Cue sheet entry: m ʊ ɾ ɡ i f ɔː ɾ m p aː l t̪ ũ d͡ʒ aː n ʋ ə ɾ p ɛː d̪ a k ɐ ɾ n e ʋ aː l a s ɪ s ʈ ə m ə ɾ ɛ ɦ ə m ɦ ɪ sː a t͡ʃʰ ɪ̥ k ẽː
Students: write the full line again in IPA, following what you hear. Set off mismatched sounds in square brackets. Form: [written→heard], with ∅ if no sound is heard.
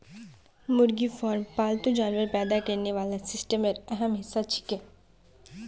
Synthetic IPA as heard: m ʊ ɾ ɡ i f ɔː ɾ m p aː l t̪ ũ d͡ʒ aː n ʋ ə ɾ p ɛː d̪ a k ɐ ɾ n e ʋ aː l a s ɪ s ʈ ə m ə ɾ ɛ ɦ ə m ɦ ɪ sː a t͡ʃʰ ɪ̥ k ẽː